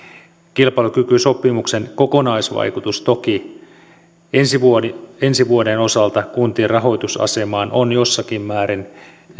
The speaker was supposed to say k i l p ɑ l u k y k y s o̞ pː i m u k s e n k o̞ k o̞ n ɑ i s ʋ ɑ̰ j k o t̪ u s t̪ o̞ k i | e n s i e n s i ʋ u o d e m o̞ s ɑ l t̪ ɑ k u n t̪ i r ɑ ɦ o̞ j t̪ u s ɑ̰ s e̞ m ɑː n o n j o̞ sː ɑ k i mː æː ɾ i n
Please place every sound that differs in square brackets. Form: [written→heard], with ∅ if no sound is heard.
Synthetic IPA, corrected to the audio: k i l p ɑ l u k y k y s o̞ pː i m u k s e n k o̞ k o̞ n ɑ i s ʋ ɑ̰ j k [o→u] t̪ u s t̪ o̞ k i | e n s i e n s i ʋ u o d e [m→n] o̞ s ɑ l t̪ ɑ k u n t̪ i r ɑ ɦ o̞ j t̪ u s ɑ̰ s e̞ m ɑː n o n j o̞ sː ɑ k i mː æː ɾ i n